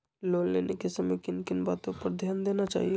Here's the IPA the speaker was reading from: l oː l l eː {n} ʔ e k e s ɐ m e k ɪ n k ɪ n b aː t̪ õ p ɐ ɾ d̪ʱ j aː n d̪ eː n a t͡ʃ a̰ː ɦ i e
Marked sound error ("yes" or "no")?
no